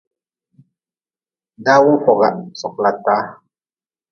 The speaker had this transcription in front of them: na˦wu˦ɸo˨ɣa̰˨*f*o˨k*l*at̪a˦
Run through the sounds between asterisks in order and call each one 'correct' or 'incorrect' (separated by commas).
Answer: incorrect, correct